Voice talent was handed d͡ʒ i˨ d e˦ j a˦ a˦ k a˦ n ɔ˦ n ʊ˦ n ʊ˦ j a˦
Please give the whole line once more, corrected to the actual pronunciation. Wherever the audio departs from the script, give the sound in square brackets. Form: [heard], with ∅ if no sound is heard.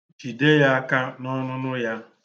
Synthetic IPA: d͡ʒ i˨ d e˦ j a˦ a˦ k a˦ n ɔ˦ n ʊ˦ n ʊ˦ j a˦

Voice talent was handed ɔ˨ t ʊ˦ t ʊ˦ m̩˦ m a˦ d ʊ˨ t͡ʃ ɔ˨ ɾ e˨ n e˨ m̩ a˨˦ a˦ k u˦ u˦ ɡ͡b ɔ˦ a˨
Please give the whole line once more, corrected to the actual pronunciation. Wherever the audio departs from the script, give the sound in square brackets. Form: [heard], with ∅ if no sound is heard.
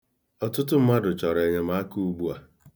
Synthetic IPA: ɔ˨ t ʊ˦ t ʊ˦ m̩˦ m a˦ d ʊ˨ t͡ʃ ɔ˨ ɾ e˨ [ɲ] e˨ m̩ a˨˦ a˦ k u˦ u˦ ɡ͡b [u˦] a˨

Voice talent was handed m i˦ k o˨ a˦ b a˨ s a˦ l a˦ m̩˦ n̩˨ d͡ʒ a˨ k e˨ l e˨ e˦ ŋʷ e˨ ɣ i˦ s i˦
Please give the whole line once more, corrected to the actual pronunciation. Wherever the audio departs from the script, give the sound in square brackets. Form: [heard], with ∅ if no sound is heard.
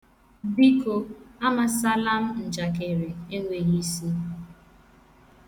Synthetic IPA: [b] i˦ k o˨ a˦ [m] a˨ s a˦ l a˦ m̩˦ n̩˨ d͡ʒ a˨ k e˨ [ɾ] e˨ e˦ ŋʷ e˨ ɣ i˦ s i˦

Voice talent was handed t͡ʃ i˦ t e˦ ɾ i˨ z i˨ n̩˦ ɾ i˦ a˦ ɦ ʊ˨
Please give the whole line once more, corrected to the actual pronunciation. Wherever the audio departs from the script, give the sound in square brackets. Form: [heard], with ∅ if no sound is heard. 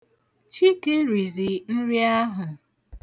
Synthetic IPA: t͡ʃ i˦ [k] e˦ ɾ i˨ z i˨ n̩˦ ɾ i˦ a˦ ɦ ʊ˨

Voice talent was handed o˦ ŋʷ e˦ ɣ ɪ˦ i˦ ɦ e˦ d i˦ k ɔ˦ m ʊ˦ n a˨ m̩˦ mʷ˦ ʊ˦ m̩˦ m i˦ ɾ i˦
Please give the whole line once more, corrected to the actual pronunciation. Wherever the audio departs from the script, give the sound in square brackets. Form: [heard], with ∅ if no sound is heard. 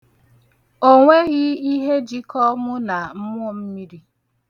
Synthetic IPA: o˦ ŋʷ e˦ ɣ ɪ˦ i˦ ɦ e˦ [d͡ʒ] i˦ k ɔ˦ m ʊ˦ n a˨ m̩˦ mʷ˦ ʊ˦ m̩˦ m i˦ ɾ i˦

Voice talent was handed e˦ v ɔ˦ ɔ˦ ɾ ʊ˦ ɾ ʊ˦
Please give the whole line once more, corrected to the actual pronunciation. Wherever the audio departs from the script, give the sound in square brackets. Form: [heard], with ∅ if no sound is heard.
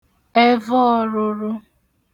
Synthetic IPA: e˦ v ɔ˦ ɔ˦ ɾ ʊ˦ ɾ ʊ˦

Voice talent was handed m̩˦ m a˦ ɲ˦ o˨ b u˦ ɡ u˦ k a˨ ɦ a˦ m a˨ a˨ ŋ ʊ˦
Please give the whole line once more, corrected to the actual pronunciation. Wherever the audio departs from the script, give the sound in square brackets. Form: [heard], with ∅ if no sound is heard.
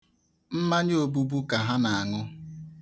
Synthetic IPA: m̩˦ m a˦ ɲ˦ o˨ b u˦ [b] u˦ k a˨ ɦ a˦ [n] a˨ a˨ ŋ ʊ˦

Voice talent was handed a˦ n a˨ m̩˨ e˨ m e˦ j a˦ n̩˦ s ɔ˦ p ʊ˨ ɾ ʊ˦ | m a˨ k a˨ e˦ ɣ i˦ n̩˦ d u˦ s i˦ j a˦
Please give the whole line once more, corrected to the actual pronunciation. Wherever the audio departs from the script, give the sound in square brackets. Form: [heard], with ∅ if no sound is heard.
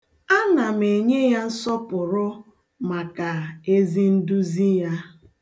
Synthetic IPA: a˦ n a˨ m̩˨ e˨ [ɲ] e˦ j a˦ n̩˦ s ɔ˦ p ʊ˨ ɾ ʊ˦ | m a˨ k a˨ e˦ [z] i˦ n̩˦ d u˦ [z] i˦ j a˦

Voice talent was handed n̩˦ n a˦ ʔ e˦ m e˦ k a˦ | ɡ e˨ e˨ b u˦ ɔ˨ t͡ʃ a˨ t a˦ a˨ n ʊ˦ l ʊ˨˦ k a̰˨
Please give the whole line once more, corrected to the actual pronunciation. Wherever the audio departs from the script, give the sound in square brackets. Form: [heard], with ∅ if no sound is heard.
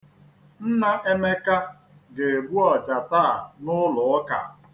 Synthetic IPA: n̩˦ n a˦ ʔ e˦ m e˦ k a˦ | ɡ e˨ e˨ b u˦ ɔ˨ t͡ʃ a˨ t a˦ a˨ n ʊ˦ l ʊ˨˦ k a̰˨

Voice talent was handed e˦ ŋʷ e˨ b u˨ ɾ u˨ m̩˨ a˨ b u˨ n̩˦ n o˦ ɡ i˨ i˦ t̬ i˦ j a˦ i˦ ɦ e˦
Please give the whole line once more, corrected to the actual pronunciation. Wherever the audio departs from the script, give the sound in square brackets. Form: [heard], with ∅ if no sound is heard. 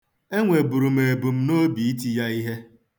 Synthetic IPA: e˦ ŋʷ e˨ b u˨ ɾ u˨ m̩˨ [e˨] b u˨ [m̩˦] n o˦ [b] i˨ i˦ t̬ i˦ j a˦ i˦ ɦ e˦

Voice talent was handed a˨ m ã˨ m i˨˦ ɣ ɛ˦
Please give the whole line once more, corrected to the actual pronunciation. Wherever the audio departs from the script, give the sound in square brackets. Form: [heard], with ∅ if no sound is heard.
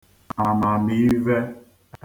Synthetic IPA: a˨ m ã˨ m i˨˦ [v] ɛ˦

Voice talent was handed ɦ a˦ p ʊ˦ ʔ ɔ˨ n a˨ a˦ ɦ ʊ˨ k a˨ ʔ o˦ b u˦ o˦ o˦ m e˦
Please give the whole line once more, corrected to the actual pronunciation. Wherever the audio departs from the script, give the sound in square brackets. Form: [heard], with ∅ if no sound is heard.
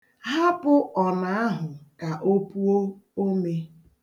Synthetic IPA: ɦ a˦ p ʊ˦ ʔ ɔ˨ n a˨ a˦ ɦ ʊ˨ k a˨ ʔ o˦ [p] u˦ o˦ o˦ m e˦

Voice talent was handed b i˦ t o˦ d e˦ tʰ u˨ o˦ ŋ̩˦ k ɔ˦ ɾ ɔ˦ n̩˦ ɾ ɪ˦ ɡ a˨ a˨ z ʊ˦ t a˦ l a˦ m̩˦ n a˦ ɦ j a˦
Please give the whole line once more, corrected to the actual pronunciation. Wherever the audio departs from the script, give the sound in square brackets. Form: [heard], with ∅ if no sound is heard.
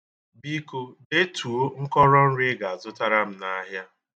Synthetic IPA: b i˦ [k] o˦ d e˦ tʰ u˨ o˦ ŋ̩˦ k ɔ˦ ɾ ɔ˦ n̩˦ ɾ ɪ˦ ɡ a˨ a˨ z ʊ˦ t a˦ [ɾ] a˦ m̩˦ n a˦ ɦ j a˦

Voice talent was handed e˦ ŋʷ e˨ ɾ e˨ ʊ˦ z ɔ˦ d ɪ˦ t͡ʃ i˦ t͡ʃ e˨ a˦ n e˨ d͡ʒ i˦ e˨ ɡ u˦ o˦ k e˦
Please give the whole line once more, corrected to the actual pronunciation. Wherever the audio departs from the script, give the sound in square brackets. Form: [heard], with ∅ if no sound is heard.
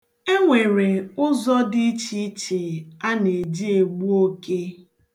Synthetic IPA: e˦ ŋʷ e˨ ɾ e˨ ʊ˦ z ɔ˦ d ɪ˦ t͡ʃ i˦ t͡ʃ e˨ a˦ n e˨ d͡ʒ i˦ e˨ [ɡ͡b] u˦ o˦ k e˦

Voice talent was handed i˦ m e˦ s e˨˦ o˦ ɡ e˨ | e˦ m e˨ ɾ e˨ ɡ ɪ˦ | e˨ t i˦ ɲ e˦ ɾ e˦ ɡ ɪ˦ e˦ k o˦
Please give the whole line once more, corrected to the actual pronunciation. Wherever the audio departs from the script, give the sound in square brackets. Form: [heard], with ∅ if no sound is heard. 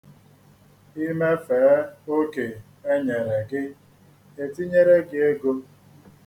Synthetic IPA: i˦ m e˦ [f] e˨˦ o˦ [k] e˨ | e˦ [ɲ] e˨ ɾ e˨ ɡ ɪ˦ | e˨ t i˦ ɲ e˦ ɾ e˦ ɡ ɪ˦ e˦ [ɡ] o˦

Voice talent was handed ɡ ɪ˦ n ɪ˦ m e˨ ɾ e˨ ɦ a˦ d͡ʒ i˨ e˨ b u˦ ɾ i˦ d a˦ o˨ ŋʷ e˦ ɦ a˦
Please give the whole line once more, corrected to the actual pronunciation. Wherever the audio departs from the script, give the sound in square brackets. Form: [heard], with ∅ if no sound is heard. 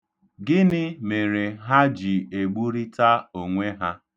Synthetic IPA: ɡ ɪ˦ n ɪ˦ m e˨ ɾ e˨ ɦ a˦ d͡ʒ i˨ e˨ [ɡ͡b] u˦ ɾ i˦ [t] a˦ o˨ ŋʷ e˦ ɦ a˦

